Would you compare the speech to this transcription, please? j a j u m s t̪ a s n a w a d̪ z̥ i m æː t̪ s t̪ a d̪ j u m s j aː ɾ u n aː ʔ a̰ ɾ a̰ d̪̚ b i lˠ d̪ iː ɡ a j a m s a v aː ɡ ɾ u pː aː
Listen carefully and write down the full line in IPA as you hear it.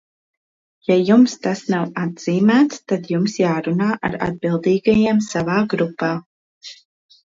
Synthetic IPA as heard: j a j u m s t̪ a s n a w a d̪ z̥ iː m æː t̪ s t̪ a d̪ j u m s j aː ɾ u n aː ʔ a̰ ɾ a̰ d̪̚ b i lˠ d̪ iː ɡ a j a m s a v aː ɡ ɾ u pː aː

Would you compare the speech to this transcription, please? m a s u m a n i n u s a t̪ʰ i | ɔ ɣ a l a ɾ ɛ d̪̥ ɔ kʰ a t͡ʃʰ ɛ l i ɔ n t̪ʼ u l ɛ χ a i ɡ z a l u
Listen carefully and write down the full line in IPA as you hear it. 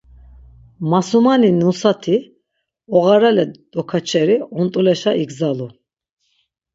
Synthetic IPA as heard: m a s u m a n i n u s a t̪ʰ i | ɔ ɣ a ɾ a l ɛ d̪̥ ɔ kʰ a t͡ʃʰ ɛ ɾ i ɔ n t̪ʼ u l ɛ ʃ a i ɡ z a l u

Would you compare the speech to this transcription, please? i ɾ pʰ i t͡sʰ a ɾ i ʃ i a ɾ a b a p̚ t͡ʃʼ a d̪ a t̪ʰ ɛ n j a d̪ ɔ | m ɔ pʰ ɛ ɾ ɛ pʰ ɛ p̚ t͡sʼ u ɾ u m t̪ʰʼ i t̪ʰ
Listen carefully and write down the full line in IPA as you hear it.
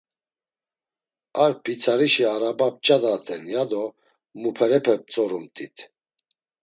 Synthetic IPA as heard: a ɾ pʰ i t͡sʰ a ɾ i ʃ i a ɾ a b a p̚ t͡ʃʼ a d̪ a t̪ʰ ɛ n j a d̪ ɔ | m u pʰ ɛ ɾ ɛ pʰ ɛ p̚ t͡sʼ ɔ ɾ u m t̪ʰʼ i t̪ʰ

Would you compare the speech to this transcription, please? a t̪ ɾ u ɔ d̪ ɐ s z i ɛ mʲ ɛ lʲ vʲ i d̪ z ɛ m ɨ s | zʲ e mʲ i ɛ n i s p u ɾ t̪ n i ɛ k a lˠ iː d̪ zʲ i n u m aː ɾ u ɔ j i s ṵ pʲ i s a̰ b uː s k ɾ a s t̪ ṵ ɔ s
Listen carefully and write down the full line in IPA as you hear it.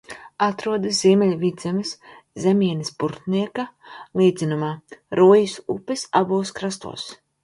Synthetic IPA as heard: a t̪ ɾ u ɔ d̪ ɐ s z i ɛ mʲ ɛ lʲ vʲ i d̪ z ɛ m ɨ s | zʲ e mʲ i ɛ n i s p u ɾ t̪ n i ɛ k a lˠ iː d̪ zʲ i n u m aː ɾ u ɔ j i s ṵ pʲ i s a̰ b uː s k ɾ a s t̪ ṵ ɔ s

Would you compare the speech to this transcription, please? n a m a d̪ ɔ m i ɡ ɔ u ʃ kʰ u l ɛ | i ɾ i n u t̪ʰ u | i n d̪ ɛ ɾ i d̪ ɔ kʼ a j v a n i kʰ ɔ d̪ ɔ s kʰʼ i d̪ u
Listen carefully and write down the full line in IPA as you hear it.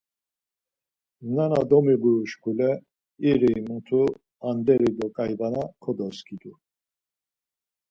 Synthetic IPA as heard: n a n a d̪ ɔ m i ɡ u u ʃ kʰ u l ɛ | i ɾ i m u t̪ʰ u | a n d̪ ɛ ɾ i d̪ ɔ kʼ a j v a n a kʰ ɔ d̪ ɔ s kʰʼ i d̪ u

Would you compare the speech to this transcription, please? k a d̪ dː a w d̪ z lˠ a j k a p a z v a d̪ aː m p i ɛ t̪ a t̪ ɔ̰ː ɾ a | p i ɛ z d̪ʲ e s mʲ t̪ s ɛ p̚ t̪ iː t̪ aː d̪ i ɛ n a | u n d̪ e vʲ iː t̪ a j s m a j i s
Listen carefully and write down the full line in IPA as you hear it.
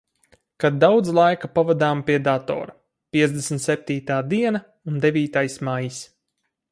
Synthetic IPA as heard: k a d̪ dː a w d̪ z lˠ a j k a p a v a d̪ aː m p i ɛ d̪ a t̪ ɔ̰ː ɾ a | p i ɛ z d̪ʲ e s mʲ t̪ s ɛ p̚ t̪ iː t̪ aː d̪ i ɛ n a | u n d̪ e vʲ iː t̪ a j s m a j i s

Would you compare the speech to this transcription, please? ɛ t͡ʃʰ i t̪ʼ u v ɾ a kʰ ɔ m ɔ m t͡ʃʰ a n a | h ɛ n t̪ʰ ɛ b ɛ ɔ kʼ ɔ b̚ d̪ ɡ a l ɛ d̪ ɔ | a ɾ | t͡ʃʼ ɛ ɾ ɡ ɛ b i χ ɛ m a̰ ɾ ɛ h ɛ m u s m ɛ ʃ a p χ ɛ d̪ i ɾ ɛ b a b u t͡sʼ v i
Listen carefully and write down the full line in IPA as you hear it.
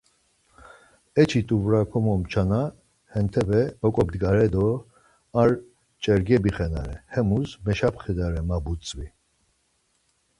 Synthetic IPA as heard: ɛ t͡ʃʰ i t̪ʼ u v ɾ a kʰ ɔ m ɔ m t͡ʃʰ a n a | h ɛ n t̪ʰ ɛ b ɛ ɔ kʼ ɔ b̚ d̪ ɡ a ɾ ɛ d̪ ɔ | a ɾ | t͡ʃʼ ɛ ɾ ɡ ɛ b i χ ɛ n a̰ ɾ ɛ h ɛ m u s m ɛ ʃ a p χ ɛ d̪ a ɾ ɛ m a b u t͡sʼ v i

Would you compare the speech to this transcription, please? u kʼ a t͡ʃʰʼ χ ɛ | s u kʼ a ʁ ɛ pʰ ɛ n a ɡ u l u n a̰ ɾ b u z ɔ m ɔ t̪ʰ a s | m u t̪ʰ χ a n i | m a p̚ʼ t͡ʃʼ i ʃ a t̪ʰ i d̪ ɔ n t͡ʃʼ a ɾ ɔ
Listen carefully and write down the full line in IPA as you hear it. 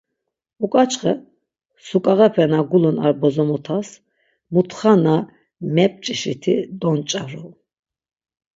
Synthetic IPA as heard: u kʼ a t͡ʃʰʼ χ ɛ | s u kʼ a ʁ ɛ pʰ ɛ n a ɡ u l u n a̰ ɾ b ɔ z ɔ m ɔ t̪ʰ a s | m u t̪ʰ χ a n a | m ɛ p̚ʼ t͡ʃʼ i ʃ i t̪ʰ i d̪ ɔ n t͡ʃʼ a ɾ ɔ

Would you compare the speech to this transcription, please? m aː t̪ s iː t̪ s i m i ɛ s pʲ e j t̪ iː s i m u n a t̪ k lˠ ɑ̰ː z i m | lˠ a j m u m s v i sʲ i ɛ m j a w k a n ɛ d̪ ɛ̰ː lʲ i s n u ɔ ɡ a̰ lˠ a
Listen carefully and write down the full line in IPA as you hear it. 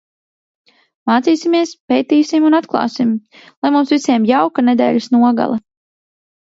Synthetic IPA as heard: m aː t̪ s iː s i m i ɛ s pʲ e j t̪ iː s i m u n a t̪ k lˠ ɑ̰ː s i m | lˠ a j m u m s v i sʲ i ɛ m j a w k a n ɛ d̪ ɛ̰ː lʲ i s n u ɔ ɡ a̰ lˠ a

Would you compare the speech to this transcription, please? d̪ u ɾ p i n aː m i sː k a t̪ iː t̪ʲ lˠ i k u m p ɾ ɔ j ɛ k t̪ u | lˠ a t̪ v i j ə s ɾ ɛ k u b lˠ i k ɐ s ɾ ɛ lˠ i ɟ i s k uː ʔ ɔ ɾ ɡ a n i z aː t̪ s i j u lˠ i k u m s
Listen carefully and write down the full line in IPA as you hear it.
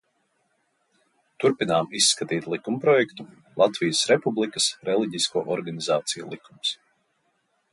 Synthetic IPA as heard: t̪ u ɾ p i n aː m i sː k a t̪ iː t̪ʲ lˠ i k u m p ɾ ɔ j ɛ k t̪ u | lˠ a t̪ v i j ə s ɾ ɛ p u b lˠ i k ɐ s ɾ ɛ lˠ i ɟ i s k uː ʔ ɔ ɾ ɡ a n i z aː t̪ s i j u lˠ i k u m s

